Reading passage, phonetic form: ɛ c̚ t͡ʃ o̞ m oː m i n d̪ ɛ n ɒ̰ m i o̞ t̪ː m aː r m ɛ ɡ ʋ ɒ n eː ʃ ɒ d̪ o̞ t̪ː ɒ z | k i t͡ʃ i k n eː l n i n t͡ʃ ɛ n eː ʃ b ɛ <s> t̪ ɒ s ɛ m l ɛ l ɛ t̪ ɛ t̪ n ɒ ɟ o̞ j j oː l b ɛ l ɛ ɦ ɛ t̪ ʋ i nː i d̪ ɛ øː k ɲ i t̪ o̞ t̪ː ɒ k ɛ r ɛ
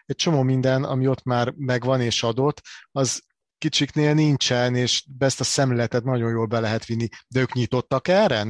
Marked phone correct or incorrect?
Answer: correct